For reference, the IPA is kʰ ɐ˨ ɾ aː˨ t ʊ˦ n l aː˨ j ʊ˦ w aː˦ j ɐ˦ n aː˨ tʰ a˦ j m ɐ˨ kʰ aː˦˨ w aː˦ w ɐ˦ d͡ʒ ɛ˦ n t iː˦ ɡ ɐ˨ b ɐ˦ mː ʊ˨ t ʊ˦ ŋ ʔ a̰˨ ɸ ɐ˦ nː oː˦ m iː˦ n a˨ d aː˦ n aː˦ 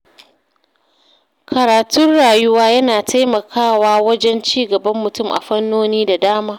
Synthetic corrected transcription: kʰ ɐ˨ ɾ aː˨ t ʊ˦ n ɽ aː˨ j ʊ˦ w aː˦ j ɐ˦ n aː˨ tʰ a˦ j m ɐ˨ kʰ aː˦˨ w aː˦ w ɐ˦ d͡ʒ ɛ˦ n t͡ʃ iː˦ ɡ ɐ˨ b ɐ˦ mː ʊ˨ t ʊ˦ m ʔ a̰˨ ɸ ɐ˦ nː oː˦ n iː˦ d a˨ d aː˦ m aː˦